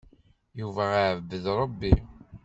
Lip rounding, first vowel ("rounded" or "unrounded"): rounded